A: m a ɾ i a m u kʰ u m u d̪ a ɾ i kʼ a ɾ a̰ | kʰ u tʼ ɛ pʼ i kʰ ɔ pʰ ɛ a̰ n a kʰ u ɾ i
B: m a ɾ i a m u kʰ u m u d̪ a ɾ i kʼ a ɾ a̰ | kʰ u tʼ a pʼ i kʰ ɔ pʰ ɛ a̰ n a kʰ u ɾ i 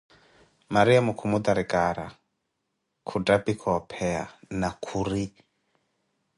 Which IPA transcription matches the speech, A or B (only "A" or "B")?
B